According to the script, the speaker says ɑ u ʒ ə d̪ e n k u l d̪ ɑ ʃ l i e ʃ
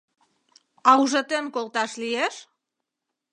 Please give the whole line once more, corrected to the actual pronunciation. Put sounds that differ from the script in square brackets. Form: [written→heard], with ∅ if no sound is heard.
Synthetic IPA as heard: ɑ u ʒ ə [d̪→t̪] e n k [u→o] l [d̪→t̪] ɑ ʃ l i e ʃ